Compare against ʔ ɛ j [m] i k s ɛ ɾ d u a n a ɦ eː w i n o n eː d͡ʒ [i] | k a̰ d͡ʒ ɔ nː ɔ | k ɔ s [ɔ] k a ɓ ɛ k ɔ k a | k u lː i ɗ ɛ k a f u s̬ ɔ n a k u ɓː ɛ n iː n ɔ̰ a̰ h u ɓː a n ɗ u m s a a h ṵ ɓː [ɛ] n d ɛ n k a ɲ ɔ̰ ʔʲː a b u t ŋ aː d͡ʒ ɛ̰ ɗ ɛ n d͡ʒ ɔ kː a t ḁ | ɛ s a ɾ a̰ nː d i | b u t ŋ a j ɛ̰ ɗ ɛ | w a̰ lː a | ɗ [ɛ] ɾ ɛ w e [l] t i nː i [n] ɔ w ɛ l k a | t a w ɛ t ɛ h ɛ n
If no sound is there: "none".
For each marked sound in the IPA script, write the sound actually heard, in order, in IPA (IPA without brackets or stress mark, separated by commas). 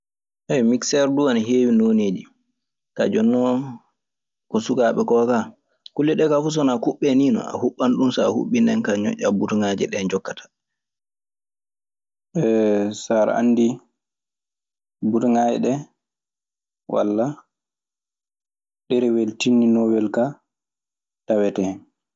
m, i, u, i, ɛ, l, n